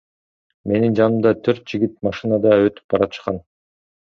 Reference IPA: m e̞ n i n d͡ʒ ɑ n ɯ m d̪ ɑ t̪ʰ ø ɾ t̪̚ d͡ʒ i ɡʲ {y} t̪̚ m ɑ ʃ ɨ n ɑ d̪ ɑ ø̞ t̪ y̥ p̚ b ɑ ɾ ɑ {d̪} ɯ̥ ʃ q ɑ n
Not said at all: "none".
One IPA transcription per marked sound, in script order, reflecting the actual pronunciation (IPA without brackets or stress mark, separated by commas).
i, t̪